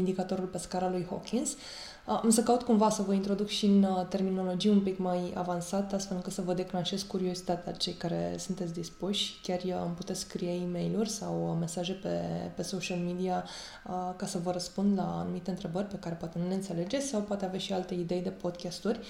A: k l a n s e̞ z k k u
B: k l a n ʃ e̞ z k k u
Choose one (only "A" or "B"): B